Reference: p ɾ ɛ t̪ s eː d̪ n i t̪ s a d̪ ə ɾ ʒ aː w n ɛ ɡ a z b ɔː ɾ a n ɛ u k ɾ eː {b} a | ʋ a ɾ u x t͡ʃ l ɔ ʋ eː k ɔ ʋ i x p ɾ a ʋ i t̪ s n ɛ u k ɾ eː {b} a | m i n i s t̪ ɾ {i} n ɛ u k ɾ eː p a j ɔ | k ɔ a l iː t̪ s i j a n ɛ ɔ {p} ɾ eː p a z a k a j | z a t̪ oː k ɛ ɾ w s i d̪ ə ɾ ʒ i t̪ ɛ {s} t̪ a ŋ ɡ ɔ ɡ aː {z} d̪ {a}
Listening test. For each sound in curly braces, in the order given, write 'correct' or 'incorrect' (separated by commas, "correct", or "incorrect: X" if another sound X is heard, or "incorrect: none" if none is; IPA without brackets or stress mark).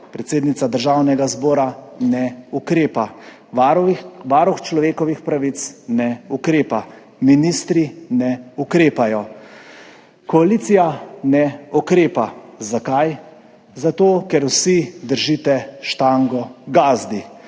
incorrect: p, incorrect: p, correct, incorrect: k, incorrect: ʃ, correct, incorrect: i